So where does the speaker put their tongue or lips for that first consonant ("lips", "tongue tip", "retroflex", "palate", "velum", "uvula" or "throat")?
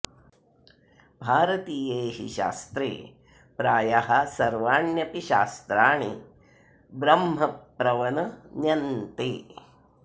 lips